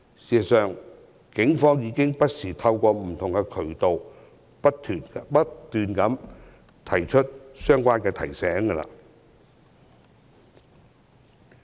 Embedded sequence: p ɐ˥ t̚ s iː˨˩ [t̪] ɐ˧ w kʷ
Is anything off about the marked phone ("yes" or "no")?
yes